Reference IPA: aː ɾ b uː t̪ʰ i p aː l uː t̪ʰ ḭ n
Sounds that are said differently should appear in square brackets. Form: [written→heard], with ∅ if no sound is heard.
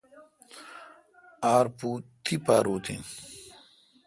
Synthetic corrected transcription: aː ɾ [b→p] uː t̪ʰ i p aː [l→ɾ] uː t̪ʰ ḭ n